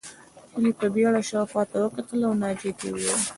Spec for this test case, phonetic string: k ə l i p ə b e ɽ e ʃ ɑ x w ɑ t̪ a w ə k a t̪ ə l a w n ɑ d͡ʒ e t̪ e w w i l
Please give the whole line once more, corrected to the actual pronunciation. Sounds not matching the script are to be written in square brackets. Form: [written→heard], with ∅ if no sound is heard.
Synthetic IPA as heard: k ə l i p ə b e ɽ [e→a] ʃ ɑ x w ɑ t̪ a w ə k a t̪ ə l a w n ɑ d͡ʒ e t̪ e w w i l